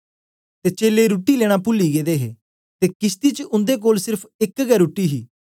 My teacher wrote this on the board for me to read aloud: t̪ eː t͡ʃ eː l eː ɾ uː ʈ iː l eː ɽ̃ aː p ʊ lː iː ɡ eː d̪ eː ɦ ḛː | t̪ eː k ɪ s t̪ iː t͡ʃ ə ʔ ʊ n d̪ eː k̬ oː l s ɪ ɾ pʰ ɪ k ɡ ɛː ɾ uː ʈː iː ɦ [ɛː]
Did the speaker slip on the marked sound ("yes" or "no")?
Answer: yes